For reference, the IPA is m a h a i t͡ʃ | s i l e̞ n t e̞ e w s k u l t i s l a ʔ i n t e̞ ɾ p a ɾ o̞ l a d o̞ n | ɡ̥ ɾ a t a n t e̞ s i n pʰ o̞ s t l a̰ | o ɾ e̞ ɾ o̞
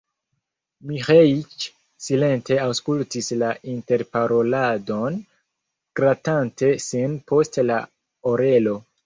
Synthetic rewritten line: m i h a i t͡ʃ | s i l e̞ n t e̞ a w s k u l t i s l a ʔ i n t e̞ ɾ p a ɾ o̞ l a d o̞ n | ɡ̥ ɾ a t a n t e̞ s i n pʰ o̞ s t l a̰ | o ɾ e̞ l o̞